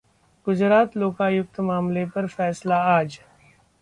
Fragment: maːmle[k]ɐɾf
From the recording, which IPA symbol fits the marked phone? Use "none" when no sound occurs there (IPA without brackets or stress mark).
p